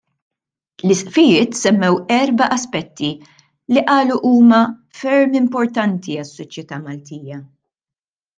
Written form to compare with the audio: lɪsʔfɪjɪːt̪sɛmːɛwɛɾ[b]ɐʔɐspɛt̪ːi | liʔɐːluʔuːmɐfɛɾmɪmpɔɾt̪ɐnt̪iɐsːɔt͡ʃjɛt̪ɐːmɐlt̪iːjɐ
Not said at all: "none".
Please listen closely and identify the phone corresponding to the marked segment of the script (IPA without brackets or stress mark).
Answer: b